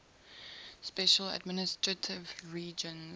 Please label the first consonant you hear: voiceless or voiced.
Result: voiceless